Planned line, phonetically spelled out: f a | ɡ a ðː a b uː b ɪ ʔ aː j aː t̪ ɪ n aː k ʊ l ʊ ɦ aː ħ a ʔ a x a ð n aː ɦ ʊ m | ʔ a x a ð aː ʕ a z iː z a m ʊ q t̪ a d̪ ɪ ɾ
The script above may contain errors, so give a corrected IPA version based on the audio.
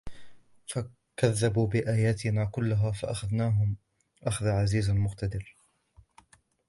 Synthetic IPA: f a | k a ðː a b uː b ɪ ʔ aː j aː t̪ ɪ n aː k ʊ lː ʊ ɦ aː f a ʔ a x a ð n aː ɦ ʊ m | ʔ a x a ð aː ʕ a z iː z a m ʊ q t̪ a d̪ ɪ ɾ